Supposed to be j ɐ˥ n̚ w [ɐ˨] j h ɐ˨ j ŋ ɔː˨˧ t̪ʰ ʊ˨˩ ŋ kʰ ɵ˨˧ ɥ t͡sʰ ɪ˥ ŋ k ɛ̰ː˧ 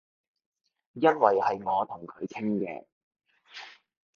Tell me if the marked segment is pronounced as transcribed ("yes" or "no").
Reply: yes